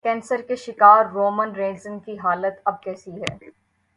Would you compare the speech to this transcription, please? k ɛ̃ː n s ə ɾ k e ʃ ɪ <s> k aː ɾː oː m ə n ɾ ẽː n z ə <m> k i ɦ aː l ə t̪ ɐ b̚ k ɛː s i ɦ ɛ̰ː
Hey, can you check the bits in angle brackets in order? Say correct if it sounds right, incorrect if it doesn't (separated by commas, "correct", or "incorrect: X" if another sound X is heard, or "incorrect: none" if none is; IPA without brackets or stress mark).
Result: incorrect: none, incorrect: n